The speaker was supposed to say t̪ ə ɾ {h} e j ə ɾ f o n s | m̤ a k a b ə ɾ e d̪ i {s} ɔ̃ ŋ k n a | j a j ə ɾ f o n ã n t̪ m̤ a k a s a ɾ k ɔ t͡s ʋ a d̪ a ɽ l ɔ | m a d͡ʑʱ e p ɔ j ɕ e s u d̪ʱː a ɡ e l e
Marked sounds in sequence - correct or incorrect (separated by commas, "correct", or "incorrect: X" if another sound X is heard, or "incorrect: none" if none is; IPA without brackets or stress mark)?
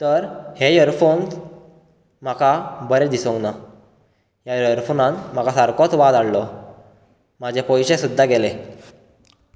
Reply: correct, correct